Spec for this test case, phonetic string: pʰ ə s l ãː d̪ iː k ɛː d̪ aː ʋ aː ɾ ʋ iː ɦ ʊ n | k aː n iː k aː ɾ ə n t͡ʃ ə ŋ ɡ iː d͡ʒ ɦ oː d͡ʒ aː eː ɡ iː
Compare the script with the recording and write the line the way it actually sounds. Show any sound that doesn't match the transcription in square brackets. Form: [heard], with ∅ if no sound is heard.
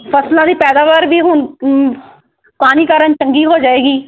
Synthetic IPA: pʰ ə s l ãː d̪ iː [p] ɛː d̪ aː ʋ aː ɾ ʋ iː ɦ ʊ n | k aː n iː k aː ɾ ə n t͡ʃ ə ŋ ɡ iː [∅] ɦ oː d͡ʒ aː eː ɡ iː